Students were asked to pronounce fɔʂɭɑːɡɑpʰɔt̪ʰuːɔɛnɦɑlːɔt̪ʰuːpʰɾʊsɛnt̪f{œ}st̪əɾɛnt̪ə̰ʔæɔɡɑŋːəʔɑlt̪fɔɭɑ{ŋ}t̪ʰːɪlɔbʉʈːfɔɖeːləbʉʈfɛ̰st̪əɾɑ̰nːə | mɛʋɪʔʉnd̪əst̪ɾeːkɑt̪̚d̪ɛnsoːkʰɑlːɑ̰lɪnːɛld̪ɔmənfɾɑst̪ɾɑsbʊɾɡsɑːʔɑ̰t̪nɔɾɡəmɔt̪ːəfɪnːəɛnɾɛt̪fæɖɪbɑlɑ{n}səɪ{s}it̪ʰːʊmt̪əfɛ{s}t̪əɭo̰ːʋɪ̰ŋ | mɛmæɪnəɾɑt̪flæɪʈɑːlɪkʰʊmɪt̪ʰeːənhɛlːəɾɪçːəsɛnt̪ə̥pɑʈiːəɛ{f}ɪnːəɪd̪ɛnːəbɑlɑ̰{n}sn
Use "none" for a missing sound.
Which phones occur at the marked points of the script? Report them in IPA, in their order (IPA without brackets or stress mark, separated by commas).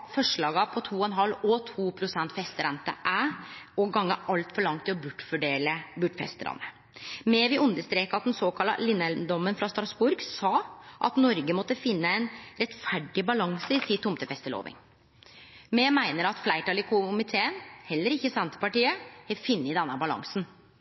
ɛ, ŋ, ŋ, s, s, f, ŋ